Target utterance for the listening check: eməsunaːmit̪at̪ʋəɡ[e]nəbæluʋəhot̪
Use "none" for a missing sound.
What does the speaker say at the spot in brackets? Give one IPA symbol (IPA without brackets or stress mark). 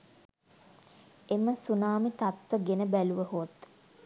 e